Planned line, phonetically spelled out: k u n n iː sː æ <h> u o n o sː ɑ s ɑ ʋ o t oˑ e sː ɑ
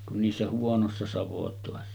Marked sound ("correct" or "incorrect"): correct